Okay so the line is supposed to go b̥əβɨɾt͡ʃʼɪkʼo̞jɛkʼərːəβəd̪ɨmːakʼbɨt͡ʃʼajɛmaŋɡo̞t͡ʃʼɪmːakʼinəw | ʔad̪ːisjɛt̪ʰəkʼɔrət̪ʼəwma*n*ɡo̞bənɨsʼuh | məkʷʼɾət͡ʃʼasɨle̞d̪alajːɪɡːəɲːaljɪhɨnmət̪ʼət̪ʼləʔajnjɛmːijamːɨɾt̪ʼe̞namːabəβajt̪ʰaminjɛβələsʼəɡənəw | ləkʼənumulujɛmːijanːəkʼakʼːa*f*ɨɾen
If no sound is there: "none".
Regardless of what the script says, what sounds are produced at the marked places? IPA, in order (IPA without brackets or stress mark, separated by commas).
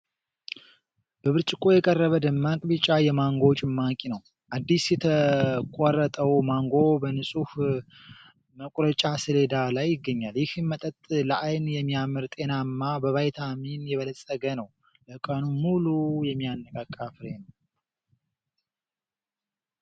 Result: ŋ, f